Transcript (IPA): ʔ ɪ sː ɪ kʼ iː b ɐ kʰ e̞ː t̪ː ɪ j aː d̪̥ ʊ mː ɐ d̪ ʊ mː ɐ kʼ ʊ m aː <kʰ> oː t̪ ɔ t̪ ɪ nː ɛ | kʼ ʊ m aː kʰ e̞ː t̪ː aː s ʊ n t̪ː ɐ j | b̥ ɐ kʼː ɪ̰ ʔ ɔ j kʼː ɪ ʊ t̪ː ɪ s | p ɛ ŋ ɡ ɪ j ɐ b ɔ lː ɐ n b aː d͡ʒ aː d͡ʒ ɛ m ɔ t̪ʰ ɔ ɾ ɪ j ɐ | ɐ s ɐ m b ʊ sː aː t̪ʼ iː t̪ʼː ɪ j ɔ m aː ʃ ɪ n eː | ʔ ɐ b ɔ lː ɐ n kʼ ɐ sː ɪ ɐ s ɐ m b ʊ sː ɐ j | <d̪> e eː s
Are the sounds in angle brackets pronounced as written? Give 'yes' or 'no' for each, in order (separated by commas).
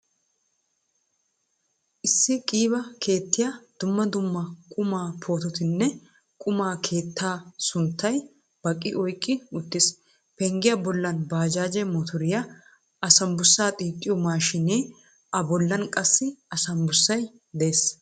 no, yes